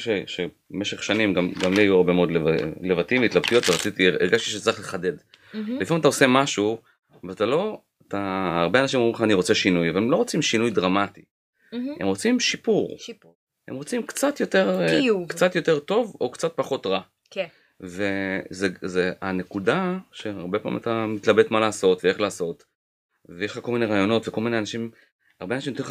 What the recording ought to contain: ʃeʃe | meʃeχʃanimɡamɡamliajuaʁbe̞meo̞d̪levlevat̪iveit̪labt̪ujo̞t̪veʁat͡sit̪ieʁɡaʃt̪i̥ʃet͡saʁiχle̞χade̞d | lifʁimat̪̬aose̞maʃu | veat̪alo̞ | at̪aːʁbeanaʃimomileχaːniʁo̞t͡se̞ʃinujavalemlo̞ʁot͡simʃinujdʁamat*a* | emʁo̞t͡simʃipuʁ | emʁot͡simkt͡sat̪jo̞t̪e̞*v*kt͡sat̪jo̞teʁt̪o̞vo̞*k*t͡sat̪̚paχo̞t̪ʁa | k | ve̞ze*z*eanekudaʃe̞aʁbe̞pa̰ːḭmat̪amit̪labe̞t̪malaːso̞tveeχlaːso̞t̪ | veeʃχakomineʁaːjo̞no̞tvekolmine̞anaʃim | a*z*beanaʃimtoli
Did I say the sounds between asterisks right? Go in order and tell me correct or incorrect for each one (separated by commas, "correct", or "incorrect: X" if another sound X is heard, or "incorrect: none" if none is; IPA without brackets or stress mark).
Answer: incorrect: i, incorrect: ʁ, correct, correct, incorrect: ʁ